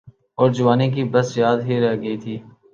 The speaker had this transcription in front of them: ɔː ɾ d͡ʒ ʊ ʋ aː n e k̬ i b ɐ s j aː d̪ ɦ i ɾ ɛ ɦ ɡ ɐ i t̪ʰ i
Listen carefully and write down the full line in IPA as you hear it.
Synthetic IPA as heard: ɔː ɾ d͡ʒ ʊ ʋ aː n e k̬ i b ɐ s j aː d̪ ɦ i ɾ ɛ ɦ ɡ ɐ i t̪ʰ iː